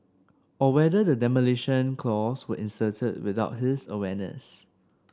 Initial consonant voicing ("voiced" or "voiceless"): voiced